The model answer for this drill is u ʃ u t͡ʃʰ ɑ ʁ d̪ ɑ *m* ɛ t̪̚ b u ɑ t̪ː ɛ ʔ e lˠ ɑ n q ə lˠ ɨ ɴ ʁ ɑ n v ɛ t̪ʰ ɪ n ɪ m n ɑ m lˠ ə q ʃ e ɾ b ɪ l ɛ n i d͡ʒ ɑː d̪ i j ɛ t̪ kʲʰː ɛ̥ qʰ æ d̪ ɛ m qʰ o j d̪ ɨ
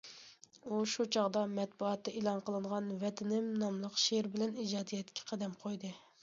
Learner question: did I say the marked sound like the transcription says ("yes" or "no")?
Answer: yes